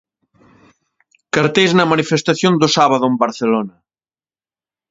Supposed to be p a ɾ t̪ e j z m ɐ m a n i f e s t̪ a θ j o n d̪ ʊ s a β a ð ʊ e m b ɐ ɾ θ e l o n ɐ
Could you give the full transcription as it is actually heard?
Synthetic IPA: k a ɾ t̪ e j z n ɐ m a n i f e s t̪ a θ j o n d̪ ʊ s a β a ð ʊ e m b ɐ ɾ θ e l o n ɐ